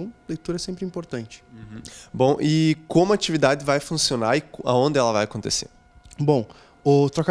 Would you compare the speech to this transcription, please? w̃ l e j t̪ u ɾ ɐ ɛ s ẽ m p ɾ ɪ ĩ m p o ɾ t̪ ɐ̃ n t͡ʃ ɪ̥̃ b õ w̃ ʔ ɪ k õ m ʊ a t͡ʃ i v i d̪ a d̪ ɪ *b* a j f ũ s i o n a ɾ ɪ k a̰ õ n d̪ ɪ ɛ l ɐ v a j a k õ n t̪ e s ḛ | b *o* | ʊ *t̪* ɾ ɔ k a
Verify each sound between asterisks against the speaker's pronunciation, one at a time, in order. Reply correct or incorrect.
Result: incorrect: v, incorrect: õ, correct

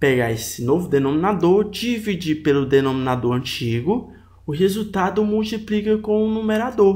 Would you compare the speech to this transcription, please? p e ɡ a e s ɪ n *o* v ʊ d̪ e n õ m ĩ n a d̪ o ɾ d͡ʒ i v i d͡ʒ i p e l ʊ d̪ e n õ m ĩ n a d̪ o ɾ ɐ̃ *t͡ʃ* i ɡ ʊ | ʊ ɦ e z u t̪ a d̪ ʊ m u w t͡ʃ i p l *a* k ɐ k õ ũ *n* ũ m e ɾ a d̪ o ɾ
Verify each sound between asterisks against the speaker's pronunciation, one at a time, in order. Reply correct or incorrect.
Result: correct, correct, incorrect: i, correct

